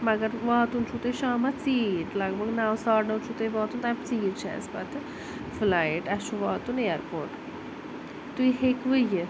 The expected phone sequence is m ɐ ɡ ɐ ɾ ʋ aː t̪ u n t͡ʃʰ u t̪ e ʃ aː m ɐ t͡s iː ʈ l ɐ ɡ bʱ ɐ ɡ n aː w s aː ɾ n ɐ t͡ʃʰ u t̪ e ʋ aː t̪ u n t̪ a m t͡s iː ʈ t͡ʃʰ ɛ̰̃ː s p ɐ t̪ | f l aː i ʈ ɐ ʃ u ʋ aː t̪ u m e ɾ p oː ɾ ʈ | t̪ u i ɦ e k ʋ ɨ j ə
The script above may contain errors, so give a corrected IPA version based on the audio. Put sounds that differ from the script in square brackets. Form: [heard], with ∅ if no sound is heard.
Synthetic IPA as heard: m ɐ ɡ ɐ ɾ ʋ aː t̪ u n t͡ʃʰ u t̪ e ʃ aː m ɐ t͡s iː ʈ l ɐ ɡ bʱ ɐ ɡ n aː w s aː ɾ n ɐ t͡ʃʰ u t̪ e ʋ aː t̪ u n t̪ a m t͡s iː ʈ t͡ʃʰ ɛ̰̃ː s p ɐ t̪ | f l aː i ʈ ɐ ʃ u ʋ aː t̪ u [n] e ɾ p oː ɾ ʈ | t̪ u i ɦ e k ʋ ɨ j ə